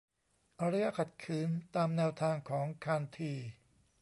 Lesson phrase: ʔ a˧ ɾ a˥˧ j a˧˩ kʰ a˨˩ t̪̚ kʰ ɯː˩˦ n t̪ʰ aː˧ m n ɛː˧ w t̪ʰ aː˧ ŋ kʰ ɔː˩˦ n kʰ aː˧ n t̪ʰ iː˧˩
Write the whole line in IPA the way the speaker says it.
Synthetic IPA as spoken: ʔ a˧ ɾ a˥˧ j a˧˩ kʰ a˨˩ t̪̚ kʰ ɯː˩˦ n t̪ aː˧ m n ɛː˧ w t̪ʰ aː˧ ŋ kʰ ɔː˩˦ ŋ kʰ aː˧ n t̪ʰ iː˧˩